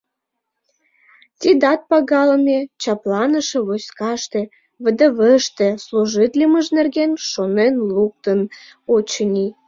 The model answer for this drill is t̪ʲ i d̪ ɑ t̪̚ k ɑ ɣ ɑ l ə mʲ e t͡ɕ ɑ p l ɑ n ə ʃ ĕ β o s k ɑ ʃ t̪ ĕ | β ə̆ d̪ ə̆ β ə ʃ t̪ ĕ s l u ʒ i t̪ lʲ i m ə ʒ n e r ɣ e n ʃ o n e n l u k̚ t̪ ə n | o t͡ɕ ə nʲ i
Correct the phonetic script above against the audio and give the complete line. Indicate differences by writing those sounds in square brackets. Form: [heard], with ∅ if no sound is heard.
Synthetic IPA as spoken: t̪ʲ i d̪ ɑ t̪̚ [p] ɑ ɣ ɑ l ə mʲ e t͡ɕ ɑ p l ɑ n ə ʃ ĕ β o s k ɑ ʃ t̪ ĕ | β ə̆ d̪ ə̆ β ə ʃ t̪ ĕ s l u ʒ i t̪ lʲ i m ə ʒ n e r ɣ e n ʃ o n e n l u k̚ t̪ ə n | o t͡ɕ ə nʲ i